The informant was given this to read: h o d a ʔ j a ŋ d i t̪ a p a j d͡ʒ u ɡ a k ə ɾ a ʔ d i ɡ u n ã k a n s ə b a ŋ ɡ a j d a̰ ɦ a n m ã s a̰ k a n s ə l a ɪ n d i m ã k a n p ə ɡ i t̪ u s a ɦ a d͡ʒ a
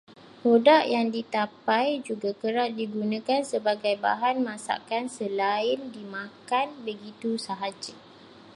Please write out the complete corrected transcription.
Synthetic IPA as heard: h o d a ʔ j a ŋ d i t̪ a p a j d͡ʒ u ɡ a k ə ɾ a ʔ d i ɡ u n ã k a n s ə b a ɡ a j b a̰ ɦ a n m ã s a̰ k a n s ə l a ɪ n d i m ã k a n b ə ɡ i t̪ u s a ɦ a d͡ʒ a